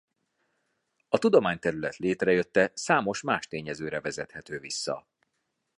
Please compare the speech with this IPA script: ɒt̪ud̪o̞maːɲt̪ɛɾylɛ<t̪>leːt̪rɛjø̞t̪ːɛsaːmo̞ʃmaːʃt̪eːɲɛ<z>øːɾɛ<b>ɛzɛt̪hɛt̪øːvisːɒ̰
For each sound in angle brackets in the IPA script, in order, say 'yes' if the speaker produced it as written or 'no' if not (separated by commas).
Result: yes, yes, no